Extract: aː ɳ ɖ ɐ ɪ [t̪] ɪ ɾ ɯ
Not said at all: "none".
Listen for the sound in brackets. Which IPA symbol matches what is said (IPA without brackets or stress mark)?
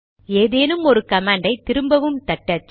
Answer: t̪